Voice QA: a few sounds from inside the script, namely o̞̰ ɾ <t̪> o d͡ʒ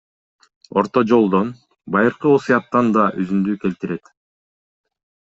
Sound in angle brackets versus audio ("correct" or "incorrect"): correct